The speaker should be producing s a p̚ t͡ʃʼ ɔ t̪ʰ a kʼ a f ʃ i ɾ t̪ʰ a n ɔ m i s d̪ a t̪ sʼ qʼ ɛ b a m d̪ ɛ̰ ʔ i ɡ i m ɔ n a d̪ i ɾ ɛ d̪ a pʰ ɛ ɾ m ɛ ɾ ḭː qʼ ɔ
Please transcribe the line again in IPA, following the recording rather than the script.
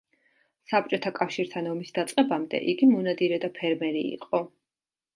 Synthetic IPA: s a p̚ t͡ʃʼ ɔ t̪ʰ a kʼ a f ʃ i ɾ t̪ʰ a n ɔ m i s d̪ a t̪ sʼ qʼ ɛ b a m d̪ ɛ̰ ʔ i ɡ i m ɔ n a d̪ i ɾ ɛ d̪ a pʰ ɛ ɾ m ɛ ɾ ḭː qʼ ɔ